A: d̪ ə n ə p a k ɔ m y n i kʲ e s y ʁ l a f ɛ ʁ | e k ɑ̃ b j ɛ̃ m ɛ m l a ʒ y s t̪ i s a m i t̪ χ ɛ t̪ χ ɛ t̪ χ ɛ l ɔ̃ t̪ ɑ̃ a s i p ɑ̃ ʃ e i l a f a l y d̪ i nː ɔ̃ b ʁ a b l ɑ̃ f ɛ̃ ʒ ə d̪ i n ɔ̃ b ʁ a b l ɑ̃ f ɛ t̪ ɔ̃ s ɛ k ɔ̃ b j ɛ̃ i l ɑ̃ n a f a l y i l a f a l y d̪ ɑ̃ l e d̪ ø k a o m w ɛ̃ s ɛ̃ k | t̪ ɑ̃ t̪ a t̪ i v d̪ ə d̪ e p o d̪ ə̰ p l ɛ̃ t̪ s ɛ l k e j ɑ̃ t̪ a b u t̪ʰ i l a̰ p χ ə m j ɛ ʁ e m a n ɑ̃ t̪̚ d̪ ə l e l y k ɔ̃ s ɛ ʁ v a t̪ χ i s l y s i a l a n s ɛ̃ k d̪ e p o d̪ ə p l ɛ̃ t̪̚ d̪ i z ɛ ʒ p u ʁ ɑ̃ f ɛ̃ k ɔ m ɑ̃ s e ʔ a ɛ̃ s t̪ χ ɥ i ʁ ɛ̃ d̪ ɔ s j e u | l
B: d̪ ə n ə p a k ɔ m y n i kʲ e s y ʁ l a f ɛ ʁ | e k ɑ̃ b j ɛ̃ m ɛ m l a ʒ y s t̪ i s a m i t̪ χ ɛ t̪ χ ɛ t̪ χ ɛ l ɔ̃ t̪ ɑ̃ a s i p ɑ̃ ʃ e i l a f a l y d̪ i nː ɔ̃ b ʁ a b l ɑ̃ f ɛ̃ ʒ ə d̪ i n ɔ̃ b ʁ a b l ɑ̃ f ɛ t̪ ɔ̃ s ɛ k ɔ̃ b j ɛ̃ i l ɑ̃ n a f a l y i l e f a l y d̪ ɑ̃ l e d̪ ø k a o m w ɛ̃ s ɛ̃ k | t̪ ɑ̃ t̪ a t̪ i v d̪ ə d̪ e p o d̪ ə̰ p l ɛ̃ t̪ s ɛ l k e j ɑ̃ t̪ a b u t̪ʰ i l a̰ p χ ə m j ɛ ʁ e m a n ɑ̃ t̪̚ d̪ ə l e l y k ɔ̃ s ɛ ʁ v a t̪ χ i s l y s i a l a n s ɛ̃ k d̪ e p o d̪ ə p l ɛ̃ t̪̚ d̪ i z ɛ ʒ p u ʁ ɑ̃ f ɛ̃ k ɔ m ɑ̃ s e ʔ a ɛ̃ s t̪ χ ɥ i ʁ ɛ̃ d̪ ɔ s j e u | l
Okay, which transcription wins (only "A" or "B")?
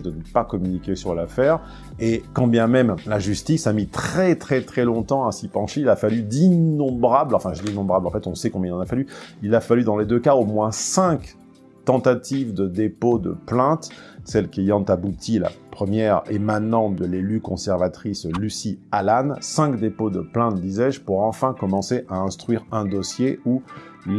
A